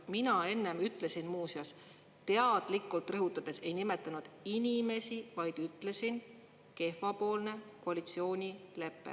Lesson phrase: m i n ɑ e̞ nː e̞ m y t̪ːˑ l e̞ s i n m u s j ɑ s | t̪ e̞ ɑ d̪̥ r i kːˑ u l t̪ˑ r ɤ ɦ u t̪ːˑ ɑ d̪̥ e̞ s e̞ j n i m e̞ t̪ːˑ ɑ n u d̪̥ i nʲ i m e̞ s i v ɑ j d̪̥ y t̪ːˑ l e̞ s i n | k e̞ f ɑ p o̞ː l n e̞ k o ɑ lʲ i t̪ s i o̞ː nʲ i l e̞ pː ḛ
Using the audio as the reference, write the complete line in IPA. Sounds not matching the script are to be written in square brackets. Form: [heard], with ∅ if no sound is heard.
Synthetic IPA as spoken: m i n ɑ e̞ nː e̞ m y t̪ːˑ l e̞ s i n m [uː] s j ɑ s | t̪ e̞ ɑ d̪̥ [l] i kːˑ u l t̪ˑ r ɤ ɦ u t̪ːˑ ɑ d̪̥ e̞ s e̞ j n i m e̞ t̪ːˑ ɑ n u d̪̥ i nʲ i m e̞ s i v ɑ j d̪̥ y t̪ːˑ l e̞ s i n | k e̞ f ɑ p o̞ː l n e̞ k o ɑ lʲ i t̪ s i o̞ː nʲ i l e̞ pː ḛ